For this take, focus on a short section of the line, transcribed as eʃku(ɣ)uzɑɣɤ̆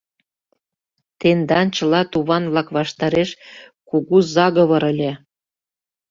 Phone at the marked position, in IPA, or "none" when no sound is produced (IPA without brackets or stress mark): ɣ